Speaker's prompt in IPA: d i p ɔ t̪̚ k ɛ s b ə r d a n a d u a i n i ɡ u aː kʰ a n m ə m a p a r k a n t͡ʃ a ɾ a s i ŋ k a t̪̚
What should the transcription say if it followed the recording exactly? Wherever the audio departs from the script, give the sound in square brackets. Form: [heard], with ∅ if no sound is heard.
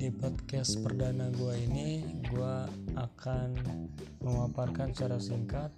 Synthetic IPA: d i p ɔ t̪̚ k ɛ s [p] ə r d a n a [ɡ] u a i n i ɡ u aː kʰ a n m ə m a p a r k a n t͡ʃ a ɾ a s i ŋ k a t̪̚